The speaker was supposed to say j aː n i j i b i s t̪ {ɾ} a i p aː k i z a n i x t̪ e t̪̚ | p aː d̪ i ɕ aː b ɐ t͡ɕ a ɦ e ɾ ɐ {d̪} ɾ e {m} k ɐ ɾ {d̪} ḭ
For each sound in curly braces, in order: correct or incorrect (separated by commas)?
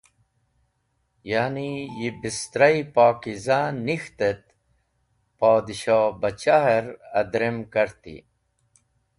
correct, correct, correct, incorrect